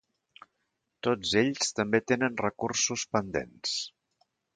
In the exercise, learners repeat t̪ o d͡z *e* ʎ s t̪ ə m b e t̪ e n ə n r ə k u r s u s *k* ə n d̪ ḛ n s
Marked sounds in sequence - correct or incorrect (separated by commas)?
correct, incorrect